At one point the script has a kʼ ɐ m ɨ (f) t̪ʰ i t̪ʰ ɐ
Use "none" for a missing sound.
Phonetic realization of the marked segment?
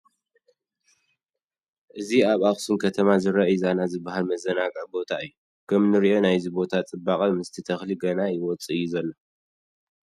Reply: s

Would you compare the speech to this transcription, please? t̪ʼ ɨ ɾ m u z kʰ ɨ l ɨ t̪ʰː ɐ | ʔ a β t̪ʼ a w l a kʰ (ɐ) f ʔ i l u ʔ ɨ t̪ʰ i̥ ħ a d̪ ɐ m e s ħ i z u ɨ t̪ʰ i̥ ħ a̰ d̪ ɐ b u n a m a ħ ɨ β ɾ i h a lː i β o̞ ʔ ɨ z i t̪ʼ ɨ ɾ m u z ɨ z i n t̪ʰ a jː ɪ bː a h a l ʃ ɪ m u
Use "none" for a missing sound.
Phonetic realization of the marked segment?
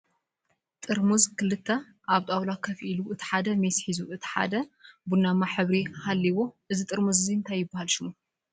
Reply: ɐ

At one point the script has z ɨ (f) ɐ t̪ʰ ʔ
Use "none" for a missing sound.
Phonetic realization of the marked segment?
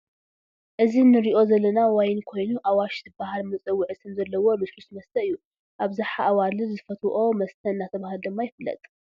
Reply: f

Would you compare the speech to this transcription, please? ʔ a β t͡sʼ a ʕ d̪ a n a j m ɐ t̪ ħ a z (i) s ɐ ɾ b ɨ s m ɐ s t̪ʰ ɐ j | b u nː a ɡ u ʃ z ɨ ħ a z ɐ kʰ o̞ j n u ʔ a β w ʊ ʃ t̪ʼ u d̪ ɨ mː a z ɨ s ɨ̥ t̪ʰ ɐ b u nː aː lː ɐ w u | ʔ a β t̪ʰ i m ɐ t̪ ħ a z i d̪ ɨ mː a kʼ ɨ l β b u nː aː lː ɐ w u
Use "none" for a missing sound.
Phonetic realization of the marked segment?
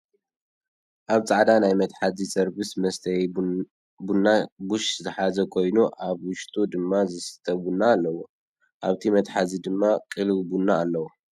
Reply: i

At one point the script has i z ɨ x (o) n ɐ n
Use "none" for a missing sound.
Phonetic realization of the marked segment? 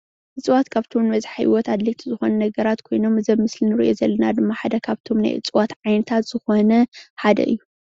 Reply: o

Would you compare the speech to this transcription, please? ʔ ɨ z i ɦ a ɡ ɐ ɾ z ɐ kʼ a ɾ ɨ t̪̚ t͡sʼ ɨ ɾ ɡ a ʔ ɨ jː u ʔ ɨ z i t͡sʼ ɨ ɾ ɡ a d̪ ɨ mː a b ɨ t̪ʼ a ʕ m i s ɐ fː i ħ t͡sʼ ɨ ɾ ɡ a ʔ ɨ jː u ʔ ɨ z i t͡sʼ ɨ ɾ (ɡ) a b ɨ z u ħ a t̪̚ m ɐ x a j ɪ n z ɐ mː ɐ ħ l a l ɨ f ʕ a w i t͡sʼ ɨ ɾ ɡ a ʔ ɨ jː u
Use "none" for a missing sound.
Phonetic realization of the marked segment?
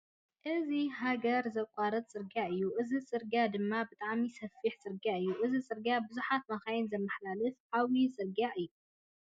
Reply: ɡ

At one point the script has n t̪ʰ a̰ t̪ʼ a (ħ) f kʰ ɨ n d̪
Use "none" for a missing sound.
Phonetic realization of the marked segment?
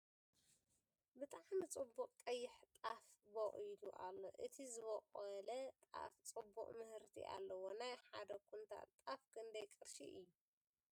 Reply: none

